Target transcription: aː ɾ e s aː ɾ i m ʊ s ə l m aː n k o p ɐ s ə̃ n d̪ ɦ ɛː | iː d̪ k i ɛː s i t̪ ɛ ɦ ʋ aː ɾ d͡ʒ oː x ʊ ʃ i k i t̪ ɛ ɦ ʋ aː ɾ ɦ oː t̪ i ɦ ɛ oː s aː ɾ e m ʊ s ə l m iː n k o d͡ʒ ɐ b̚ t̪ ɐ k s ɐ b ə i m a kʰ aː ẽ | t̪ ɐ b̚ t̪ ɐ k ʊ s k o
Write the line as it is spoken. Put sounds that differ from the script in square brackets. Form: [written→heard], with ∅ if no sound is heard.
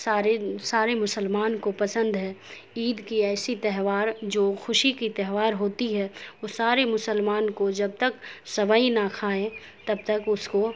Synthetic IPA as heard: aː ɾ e s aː ɾ [i→e] m ʊ s ə l m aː n k o p ɐ s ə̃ n d̪ ɦ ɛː | iː d̪ k i ɛː s i t̪ ɛ ɦ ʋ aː ɾ d͡ʒ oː x ʊ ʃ i k i t̪ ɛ ɦ ʋ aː ɾ ɦ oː t̪ i ɦ ɛ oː s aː ɾ e m ʊ s ə l m [iː→aː] n k o d͡ʒ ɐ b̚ t̪ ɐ k s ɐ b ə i [m→n] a kʰ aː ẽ | t̪ ɐ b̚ t̪ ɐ k ʊ s k o